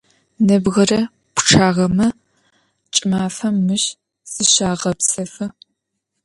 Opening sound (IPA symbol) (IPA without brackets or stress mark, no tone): n